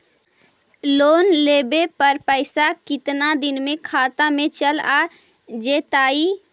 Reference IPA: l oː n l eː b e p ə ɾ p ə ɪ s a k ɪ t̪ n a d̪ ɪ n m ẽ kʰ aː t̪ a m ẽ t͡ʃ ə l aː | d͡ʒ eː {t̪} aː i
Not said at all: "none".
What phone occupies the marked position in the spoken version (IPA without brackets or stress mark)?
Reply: t̪